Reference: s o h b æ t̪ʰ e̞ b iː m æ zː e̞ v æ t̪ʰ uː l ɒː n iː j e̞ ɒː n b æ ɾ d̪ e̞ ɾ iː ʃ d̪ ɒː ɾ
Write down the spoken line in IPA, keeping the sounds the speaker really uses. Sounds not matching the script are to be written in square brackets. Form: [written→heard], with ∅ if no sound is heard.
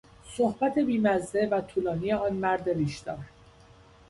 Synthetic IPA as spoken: s o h b æ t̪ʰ e̞ b iː m æ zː e̞ v æ t̪ʰ uː l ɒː n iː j e̞ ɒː n [b→m] æ ɾ d̪ e̞ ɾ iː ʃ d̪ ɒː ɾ